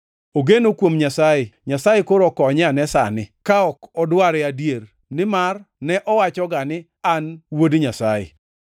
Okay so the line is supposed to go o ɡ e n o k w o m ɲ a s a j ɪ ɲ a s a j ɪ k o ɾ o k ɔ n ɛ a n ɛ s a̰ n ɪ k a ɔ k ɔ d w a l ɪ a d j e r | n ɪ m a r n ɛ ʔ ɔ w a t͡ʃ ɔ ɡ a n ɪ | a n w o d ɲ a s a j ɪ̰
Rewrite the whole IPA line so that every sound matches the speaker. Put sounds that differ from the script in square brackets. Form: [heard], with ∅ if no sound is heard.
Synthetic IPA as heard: o ɡ e n o k w o m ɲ a s a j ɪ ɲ a s a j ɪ k o ɾ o k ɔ [ɲ] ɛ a n ɛ s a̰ n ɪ k a ɔ k ɔ d w a [ɾ] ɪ a d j e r | n ɪ m a r n ɛ ʔ ɔ w a t͡ʃ ɔ ɡ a n ɪ | a n w o d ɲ a s a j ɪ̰